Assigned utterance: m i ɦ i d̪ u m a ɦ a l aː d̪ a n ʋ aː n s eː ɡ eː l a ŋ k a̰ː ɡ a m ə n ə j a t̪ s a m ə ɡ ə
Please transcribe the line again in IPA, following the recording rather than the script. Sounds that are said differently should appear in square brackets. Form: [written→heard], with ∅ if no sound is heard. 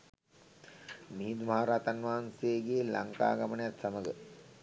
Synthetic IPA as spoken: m i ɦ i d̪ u m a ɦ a [l→ɾ] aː [d̪→t̪] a n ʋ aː n s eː ɡ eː l a ŋ k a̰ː ɡ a m ə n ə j a t̪ s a m ə ɡ ə